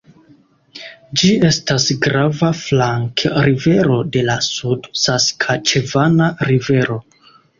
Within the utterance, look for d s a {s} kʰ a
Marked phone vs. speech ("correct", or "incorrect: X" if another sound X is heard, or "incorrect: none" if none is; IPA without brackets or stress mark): correct